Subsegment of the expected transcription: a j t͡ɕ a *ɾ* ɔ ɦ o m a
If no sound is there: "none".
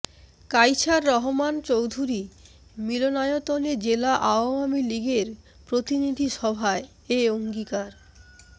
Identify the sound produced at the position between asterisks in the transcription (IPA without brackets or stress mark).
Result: ɾː